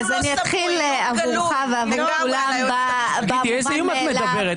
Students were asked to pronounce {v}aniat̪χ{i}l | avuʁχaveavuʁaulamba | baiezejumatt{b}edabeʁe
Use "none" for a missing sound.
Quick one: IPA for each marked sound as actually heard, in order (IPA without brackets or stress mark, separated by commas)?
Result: z, i, m